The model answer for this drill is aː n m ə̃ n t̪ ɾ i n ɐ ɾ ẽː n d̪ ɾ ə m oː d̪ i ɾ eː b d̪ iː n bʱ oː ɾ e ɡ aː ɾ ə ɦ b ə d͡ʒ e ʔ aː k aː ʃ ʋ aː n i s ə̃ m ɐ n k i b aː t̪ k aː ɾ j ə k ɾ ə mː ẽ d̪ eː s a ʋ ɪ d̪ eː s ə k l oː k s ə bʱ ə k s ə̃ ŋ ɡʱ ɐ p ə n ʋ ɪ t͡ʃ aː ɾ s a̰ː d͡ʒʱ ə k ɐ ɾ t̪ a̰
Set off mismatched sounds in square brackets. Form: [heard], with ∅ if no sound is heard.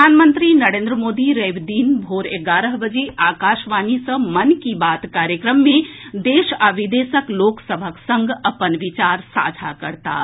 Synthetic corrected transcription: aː n m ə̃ n t̪ ɾ i n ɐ ɾ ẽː n d̪ ɾ ə m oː d̪ i ɾ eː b d̪ iː n bʱ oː ɾ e ɡ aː ɾ ə ɦ b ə d͡ʒ e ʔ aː k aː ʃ ʋ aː n i s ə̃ m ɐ n k i b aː t̪ k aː ɾ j ə k ɾ ə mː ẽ d̪ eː [ʃ] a ʋ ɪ d̪ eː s ə k l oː k s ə bʱ ə k s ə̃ ŋ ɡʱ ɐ p ə n ʋ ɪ t͡ʃ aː ɾ s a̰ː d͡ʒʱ [a] k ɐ ɾ t̪ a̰